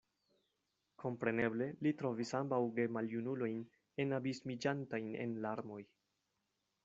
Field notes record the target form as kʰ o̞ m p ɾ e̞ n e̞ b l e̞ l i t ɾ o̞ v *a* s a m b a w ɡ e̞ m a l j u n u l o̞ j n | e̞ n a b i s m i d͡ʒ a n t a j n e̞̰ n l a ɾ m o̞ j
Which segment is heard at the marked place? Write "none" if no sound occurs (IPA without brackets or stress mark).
i